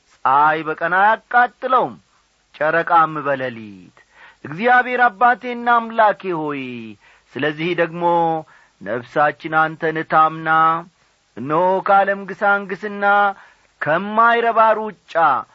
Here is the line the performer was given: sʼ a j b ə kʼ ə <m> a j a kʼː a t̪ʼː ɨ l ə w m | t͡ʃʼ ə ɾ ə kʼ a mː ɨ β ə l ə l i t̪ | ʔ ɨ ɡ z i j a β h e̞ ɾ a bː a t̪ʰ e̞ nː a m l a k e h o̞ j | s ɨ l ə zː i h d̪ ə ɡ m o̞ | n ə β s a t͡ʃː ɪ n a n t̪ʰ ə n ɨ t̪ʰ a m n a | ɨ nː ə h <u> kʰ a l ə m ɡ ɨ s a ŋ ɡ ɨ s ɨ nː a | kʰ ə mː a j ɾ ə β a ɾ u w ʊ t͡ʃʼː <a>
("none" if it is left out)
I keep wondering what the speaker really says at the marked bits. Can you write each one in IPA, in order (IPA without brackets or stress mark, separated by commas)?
n, o, a